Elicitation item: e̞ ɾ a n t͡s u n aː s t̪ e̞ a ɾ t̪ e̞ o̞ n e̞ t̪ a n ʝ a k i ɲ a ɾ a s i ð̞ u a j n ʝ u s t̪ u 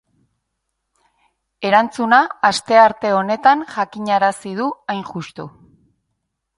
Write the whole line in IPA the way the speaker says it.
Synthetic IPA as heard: e̞ ɾ a n t͡s u n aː s t̪ e̞ a ɾ t̪ e̞ o̞ n e̞ t̪ a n ʝ a k i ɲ a ɾ a s i ð̞ u a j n ʝ u s t̪ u